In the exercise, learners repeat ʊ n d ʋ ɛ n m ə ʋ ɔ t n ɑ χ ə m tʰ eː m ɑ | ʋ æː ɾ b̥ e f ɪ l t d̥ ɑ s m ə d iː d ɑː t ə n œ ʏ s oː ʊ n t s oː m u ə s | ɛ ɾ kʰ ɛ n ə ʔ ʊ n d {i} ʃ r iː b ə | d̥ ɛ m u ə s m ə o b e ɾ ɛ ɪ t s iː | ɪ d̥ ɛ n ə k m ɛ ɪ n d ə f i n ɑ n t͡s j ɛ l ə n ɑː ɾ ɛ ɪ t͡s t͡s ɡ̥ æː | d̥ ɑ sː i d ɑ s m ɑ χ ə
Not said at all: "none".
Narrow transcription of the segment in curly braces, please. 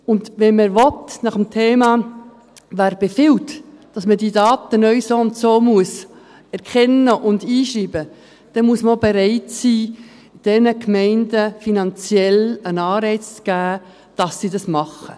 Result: iː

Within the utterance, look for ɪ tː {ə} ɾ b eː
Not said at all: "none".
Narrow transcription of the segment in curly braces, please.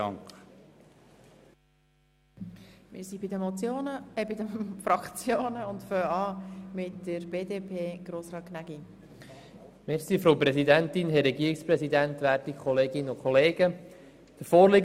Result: ə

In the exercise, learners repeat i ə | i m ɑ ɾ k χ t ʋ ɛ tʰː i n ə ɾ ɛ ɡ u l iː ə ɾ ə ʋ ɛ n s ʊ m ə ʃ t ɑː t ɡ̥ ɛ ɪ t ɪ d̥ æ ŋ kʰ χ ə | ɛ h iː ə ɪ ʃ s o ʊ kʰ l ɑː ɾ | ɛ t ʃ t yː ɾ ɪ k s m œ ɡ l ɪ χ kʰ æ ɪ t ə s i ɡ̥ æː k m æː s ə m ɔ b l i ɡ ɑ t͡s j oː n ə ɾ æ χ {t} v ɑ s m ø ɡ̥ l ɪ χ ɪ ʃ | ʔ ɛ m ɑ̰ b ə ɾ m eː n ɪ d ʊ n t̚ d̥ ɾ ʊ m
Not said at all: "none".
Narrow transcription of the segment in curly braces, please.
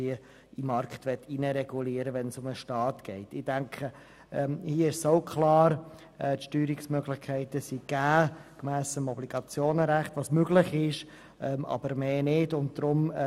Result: t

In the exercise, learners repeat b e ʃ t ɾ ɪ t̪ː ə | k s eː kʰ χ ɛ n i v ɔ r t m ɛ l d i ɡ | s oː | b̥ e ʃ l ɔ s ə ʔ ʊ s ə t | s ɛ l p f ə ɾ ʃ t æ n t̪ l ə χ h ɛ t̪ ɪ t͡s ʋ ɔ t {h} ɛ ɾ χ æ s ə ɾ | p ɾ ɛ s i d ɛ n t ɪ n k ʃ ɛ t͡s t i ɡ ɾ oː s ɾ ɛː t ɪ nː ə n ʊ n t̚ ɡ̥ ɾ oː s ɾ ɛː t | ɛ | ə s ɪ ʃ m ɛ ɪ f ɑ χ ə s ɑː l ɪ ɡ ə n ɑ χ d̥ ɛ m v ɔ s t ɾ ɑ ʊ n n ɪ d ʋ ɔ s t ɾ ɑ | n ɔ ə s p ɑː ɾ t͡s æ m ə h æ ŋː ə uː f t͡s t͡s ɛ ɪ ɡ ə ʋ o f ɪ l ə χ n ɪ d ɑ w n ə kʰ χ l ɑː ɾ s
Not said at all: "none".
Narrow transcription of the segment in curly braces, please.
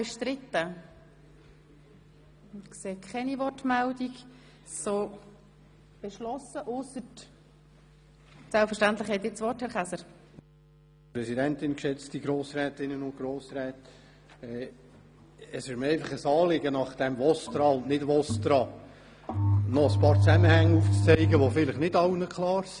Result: h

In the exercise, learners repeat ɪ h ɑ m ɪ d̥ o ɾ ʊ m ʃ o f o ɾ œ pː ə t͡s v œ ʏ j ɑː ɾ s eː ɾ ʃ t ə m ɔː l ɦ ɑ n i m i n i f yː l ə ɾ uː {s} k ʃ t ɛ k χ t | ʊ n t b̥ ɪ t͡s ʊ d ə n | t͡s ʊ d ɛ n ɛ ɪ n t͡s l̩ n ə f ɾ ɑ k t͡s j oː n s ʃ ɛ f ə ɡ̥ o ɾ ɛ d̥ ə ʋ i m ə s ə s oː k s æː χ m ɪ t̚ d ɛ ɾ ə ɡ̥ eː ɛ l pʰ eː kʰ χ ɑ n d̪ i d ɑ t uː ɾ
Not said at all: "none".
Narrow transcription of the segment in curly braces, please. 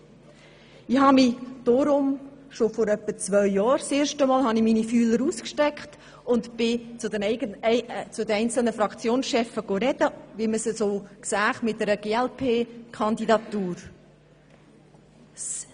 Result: s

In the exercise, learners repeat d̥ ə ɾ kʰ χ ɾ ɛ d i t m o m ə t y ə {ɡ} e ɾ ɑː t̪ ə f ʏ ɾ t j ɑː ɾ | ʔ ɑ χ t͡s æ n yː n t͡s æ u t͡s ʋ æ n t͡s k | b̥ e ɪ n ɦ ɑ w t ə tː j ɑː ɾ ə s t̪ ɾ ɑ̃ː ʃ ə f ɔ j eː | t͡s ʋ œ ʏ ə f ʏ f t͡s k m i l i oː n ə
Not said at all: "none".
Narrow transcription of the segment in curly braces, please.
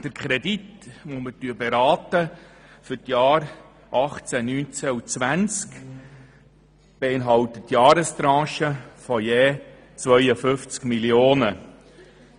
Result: b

